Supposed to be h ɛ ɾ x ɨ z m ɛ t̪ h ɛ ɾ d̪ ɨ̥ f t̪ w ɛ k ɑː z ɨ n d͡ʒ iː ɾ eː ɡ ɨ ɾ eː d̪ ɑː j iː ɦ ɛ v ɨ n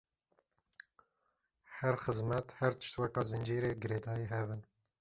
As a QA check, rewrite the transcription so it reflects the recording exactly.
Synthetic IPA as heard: h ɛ ɾ x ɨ z m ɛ t̪ h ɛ ɾ t̪ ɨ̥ ʃ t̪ w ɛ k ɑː z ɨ n d͡ʒ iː ɾ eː ɡ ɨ ɾ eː d̪ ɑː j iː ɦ ɛ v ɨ n